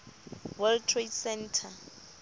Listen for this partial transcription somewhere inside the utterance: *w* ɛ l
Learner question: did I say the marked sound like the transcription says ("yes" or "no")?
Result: yes